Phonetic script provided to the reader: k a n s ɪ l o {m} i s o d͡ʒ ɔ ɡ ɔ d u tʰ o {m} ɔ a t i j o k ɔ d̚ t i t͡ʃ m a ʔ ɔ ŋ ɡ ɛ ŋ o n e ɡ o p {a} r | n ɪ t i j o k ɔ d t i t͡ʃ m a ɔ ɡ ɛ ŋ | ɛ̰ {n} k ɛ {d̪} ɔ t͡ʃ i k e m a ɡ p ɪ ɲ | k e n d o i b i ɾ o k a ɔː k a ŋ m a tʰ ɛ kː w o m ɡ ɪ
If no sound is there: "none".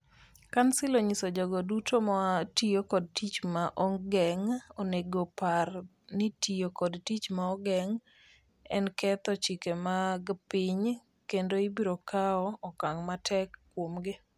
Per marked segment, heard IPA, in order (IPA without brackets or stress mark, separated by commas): ɲ, m, a, n, t̪